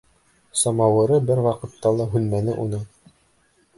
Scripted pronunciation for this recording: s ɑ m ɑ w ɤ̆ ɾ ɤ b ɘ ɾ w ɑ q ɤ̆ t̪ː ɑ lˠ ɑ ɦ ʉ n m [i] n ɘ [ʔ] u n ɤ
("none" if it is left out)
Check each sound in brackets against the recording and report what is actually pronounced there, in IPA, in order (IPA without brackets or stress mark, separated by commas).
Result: æ, ʔ